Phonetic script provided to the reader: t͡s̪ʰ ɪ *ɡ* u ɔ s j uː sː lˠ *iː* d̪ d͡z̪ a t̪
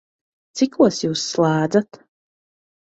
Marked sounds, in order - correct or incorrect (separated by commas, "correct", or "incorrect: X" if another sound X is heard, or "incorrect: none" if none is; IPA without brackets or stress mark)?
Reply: incorrect: k, incorrect: aː